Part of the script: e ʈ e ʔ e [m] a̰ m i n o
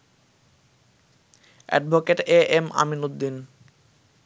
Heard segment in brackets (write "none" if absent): m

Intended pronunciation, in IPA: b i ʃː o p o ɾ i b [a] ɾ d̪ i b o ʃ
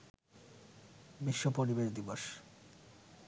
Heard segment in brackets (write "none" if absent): e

